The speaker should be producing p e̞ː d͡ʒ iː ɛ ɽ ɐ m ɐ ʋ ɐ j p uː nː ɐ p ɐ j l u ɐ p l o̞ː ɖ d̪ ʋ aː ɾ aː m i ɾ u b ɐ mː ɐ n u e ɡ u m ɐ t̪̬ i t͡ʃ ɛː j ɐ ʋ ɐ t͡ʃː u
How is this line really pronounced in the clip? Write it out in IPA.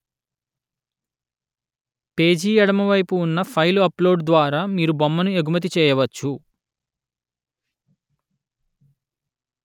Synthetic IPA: p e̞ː d͡ʒ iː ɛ ɽ ɐ m ɐ ʋ ɐ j p uː nː ɐ pʰ ɐ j l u ɐ p l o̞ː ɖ d̪ ʋ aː ɾ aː m iː ɾ u b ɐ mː ɐ n u e ɡ u m ɐ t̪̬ i t͡ʃ ɛː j ɐ ʋ ɐ t͡ʃː u